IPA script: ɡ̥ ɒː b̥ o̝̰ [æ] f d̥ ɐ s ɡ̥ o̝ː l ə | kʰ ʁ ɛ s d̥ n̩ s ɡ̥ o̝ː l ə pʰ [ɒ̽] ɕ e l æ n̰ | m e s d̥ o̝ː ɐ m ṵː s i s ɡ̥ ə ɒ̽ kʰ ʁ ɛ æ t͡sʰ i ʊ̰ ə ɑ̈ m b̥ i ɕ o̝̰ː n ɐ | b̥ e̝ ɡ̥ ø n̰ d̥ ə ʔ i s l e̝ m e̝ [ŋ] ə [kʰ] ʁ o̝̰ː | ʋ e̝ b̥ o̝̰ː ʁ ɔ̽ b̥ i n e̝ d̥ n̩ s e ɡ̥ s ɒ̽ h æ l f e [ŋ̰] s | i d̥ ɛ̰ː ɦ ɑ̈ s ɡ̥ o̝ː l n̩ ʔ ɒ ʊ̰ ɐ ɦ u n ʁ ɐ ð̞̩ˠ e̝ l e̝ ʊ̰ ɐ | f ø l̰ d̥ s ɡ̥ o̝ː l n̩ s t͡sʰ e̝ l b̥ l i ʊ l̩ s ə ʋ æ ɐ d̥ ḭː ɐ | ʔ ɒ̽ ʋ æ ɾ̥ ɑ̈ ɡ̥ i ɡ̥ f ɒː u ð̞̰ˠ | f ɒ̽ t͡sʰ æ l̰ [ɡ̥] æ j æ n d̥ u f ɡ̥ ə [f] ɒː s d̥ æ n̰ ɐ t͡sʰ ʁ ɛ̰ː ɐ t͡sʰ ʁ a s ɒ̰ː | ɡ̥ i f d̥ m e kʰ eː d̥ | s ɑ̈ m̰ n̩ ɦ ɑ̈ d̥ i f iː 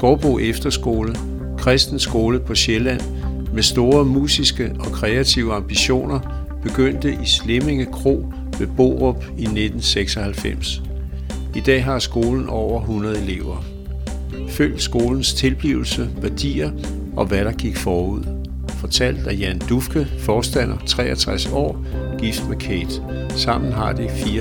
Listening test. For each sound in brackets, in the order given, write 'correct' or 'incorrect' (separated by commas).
incorrect, correct, correct, correct, incorrect, incorrect, correct